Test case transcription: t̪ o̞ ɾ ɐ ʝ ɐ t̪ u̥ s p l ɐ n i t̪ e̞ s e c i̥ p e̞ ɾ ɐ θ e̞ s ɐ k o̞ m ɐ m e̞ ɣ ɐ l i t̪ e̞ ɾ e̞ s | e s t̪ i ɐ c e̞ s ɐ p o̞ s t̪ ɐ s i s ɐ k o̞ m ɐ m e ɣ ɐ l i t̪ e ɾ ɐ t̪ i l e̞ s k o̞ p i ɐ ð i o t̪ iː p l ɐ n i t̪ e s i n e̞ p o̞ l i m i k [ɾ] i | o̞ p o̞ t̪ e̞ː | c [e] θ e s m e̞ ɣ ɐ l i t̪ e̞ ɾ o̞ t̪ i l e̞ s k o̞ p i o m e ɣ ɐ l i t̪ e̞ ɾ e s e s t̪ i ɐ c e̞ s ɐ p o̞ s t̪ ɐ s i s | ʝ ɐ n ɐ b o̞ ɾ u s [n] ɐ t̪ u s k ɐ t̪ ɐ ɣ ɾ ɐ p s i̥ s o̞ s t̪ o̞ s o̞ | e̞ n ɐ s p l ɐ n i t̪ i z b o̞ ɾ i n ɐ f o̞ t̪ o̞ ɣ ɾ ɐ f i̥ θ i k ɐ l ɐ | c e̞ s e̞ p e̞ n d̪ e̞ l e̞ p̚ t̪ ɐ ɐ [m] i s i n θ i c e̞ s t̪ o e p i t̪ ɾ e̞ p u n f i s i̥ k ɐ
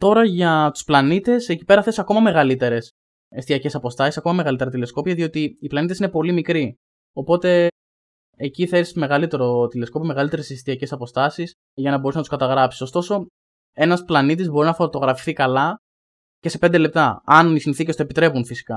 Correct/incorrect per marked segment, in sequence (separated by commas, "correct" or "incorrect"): correct, incorrect, correct, incorrect